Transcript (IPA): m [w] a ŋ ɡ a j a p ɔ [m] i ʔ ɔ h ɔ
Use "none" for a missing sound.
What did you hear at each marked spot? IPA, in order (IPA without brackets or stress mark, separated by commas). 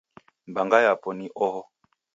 b, n